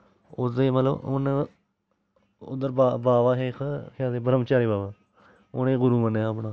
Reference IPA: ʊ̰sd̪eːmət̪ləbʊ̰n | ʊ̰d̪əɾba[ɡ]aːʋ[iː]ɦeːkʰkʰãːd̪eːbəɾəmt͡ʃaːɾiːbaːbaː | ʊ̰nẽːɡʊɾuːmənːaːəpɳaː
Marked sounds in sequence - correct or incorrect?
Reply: incorrect: b, incorrect: aː

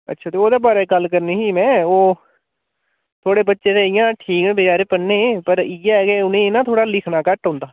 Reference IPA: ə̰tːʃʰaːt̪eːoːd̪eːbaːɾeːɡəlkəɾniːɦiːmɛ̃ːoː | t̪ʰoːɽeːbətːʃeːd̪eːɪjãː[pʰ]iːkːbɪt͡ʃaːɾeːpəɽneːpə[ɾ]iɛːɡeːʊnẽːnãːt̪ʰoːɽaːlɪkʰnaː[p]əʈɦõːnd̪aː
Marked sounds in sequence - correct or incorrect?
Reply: incorrect: ʈʰ, correct, incorrect: k

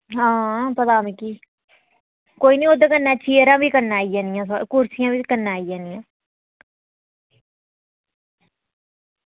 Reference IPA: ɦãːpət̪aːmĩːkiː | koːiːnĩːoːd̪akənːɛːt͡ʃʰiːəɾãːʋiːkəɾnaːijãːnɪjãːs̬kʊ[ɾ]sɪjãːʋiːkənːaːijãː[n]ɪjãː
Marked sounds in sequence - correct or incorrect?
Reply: correct, correct

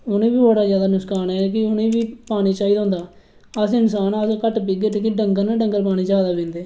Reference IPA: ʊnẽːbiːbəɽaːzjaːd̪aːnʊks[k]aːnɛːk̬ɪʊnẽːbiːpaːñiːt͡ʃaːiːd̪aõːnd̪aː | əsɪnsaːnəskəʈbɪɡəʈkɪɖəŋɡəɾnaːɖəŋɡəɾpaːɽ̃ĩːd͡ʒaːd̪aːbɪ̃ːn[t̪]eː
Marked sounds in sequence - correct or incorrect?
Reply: correct, incorrect: d̪

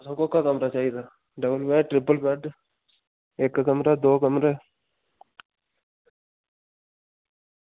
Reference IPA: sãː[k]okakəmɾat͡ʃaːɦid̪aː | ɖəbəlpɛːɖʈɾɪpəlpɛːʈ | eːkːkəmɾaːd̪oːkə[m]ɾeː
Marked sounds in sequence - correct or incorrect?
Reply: correct, correct

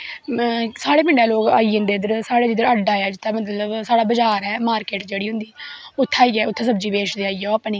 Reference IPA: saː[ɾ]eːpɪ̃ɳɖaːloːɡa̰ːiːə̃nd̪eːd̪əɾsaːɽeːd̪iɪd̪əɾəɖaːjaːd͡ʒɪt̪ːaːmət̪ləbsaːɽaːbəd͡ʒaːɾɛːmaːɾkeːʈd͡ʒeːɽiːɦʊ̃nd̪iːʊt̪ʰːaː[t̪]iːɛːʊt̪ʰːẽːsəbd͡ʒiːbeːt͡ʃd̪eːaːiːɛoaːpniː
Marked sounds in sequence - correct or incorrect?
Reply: incorrect: ɽ, incorrect: none

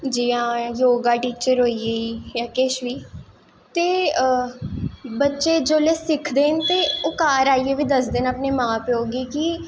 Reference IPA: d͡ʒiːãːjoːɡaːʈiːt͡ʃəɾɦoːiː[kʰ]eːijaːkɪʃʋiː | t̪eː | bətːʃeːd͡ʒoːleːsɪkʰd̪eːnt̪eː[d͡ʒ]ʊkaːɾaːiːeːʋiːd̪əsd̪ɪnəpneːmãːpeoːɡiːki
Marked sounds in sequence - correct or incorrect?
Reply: incorrect: none, incorrect: none

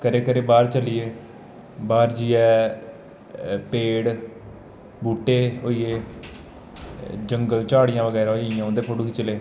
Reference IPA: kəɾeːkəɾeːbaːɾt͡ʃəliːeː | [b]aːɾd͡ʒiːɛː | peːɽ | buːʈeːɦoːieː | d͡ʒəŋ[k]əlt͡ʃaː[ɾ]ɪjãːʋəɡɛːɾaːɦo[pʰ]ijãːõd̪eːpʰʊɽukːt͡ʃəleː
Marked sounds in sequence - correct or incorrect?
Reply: correct, incorrect: ɡ, incorrect: ɽ, incorrect: none

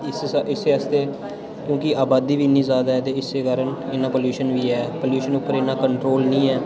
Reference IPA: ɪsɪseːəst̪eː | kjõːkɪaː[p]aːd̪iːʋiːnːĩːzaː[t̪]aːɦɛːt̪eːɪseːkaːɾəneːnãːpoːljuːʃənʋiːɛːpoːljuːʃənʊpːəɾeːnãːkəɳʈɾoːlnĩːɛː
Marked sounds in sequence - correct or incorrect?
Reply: incorrect: b, incorrect: d̪

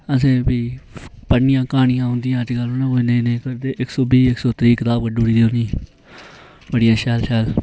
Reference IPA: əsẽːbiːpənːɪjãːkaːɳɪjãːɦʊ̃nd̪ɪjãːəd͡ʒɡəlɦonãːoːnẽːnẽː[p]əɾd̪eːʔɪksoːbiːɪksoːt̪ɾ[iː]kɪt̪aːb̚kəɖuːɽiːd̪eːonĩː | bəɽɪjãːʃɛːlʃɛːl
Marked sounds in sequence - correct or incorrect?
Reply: incorrect: k, correct

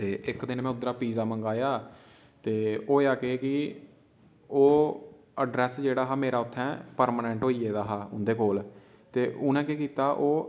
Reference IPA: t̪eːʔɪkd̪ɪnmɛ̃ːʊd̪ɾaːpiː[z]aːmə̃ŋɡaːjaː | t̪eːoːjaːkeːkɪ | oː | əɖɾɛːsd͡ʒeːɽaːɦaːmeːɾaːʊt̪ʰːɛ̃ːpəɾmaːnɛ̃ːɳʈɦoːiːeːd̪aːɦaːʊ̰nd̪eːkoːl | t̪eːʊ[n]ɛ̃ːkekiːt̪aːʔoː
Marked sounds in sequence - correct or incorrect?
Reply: correct, correct

